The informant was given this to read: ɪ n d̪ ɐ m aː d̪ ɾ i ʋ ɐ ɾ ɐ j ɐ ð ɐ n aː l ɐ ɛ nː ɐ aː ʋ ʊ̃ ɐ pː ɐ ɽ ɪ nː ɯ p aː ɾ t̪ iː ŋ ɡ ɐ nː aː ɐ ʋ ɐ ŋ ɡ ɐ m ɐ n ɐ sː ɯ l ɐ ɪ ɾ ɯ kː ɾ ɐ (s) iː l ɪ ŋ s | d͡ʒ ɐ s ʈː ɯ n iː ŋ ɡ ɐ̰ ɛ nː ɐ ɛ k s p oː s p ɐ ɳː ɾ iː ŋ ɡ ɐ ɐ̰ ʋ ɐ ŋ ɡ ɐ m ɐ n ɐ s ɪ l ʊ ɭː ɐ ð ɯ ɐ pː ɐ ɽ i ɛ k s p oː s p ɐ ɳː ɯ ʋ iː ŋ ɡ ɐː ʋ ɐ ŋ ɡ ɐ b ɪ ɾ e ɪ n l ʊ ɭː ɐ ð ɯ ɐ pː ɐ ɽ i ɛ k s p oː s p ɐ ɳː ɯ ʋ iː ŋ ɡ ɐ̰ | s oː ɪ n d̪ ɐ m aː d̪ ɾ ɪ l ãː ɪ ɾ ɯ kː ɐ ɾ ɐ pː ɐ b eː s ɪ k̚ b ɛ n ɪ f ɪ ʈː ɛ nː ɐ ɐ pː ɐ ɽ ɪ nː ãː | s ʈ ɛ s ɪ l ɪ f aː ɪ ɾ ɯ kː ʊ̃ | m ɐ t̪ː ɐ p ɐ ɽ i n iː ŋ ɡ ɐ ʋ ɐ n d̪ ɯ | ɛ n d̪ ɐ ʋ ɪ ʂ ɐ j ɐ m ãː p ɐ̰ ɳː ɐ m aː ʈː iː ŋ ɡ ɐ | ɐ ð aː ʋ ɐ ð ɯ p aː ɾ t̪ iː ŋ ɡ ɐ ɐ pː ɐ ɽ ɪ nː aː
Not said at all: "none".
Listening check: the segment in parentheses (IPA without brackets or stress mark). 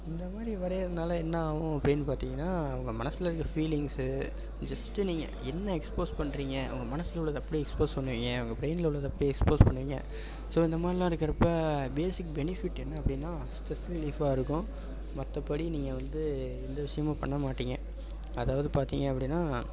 f